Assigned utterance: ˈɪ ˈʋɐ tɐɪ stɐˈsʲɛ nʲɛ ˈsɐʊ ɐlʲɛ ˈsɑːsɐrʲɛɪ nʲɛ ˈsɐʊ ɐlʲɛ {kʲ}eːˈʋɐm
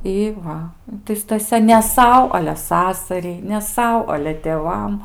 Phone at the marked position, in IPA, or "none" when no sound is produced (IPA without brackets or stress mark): tʲ